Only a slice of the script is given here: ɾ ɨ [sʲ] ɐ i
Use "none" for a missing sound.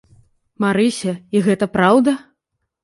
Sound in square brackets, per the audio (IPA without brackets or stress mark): sʲ